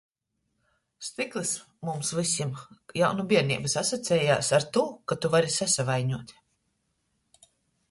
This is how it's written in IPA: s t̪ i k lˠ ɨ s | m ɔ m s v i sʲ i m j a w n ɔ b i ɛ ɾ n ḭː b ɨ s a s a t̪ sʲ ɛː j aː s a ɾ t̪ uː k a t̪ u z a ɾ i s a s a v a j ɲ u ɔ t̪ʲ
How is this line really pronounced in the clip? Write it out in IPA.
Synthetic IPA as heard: s t̪ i k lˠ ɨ s | m u m s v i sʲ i m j a w n u b i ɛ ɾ n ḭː b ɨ s a s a t̪ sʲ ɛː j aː s a ɾ t̪ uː k a t̪ u v a ɾ i s a s a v a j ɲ u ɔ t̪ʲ